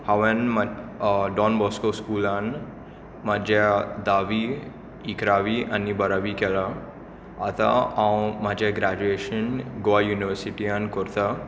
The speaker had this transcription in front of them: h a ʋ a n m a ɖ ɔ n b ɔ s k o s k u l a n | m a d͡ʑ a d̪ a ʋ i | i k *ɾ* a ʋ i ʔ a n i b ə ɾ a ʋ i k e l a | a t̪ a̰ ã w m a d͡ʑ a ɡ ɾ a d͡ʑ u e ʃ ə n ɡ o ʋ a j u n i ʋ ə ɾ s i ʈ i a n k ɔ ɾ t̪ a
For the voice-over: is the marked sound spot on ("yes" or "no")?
yes